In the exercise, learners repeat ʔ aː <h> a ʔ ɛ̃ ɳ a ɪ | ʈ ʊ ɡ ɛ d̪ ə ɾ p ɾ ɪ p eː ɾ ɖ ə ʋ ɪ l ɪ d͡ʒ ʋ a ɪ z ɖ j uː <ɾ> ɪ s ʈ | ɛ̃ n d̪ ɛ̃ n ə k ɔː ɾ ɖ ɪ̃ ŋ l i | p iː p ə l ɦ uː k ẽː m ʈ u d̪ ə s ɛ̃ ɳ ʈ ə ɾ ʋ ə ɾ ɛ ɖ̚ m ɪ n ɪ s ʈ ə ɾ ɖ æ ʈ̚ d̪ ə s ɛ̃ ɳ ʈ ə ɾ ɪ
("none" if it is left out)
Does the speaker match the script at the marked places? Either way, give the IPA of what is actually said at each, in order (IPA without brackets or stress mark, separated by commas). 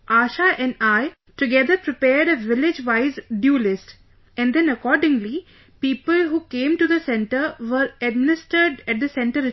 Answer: ʃ, l